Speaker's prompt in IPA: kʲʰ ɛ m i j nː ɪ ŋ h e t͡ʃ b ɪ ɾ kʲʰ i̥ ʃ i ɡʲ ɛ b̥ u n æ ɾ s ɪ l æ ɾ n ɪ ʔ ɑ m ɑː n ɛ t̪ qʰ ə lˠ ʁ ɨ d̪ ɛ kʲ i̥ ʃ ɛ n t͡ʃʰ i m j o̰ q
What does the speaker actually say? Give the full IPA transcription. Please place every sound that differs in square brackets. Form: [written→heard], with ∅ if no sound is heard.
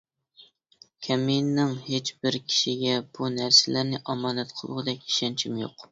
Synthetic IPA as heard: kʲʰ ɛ m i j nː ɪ ŋ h e t͡ʃ b ɪ ɾ kʲʰ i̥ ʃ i ɡʲ ɛ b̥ u n æ ɾ s ɪ l æ ɾ n ɪ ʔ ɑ m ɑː n ɛ t̪ qʰ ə lˠ ʁ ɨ d̪ ɛ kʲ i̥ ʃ ɛ n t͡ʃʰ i m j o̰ q

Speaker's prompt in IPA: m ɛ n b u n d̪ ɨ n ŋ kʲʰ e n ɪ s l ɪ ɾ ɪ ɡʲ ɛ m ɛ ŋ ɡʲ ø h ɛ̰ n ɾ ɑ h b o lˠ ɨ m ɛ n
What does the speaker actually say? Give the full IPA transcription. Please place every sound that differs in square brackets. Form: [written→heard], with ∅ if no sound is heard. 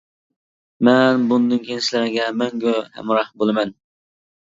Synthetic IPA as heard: m ɛ n b u n d̪ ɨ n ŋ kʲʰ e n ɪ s l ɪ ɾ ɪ ɡʲ ɛ m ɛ ŋ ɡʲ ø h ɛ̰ [n→m] ɾ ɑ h b o lˠ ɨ m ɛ n

